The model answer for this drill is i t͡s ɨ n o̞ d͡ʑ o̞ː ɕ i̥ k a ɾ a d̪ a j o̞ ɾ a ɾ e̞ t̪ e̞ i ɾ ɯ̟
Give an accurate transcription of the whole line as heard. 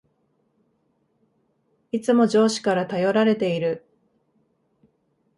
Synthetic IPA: i t͡s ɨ m o̞ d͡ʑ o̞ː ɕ i̥ k a ɾ a t̪ a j o̞ ɾ a ɾ e̞ t̪ e̞ i ɾ ɯ̟